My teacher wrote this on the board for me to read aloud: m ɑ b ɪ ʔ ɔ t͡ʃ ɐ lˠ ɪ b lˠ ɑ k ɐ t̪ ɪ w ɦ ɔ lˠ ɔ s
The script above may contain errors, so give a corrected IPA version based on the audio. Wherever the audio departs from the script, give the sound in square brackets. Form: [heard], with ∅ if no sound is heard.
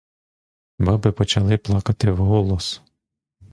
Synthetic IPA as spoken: [b] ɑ b ɪ [p] ɔ t͡ʃ ɐ lˠ ɪ [p] lˠ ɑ k ɐ t̪ ɪ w ɦ ɔ lˠ ɔ s